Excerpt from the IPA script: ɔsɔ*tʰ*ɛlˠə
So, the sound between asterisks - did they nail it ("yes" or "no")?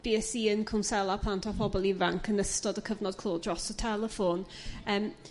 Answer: yes